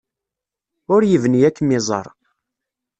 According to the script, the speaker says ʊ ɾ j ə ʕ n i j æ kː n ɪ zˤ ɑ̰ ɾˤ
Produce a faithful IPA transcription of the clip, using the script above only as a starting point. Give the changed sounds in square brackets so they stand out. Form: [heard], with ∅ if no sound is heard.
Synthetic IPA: ʊ ɾ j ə [v] n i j æ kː [m] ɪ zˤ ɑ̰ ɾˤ